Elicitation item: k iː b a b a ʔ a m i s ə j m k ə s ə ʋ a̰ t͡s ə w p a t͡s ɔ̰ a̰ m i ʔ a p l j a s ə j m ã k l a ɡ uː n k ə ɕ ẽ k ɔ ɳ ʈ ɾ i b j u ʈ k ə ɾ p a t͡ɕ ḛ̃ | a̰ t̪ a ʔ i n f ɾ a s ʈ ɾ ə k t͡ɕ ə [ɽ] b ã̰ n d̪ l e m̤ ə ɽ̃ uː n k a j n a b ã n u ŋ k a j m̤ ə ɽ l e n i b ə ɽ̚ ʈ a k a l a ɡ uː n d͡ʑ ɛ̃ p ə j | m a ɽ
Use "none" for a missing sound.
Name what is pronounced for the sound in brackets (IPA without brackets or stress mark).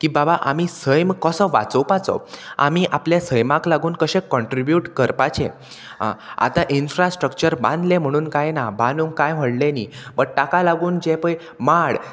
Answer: ɾ